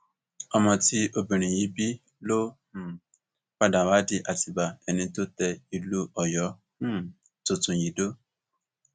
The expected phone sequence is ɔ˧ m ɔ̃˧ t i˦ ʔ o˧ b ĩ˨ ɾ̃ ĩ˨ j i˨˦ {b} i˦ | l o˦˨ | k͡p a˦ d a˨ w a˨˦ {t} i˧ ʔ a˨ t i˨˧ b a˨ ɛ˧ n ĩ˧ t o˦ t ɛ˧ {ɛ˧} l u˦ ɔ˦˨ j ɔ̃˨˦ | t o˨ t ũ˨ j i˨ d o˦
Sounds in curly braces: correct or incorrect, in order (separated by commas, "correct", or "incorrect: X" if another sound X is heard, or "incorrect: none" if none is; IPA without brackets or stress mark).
correct, incorrect: d, incorrect: i˧